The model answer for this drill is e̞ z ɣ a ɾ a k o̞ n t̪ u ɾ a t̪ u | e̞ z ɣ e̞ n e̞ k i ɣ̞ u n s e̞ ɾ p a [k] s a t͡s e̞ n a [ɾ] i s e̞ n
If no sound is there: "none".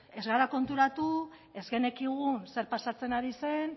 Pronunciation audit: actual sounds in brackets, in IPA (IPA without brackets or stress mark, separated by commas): none, ɾ